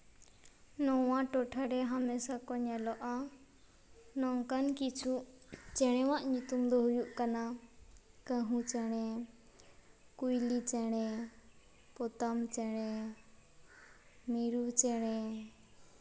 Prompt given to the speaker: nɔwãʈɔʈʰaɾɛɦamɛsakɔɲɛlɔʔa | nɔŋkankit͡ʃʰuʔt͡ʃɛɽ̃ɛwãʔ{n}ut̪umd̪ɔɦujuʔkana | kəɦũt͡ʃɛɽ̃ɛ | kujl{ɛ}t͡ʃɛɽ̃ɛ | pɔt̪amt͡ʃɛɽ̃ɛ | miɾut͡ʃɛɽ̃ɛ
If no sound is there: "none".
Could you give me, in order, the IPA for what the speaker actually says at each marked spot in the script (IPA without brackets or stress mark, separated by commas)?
ɲ, i